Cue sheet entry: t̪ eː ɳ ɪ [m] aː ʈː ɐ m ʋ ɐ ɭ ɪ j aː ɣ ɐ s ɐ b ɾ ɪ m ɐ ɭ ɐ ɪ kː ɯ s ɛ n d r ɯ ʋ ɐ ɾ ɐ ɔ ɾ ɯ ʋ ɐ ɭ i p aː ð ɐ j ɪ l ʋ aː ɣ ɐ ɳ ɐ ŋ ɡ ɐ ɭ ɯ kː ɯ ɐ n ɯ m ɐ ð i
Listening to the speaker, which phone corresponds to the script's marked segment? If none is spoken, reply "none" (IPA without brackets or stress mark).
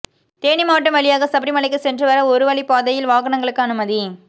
m